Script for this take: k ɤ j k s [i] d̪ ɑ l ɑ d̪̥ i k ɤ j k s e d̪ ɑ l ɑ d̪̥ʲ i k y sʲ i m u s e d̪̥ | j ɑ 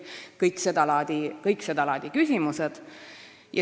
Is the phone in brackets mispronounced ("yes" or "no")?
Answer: yes